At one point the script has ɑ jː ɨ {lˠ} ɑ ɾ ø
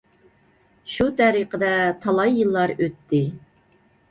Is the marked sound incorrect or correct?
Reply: incorrect